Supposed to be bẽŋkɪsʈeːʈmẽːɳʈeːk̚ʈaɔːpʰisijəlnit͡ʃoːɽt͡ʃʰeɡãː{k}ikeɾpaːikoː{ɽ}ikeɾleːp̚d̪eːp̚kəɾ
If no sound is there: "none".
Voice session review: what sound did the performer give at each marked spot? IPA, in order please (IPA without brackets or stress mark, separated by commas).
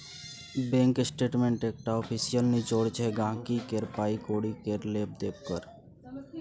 k, ɽ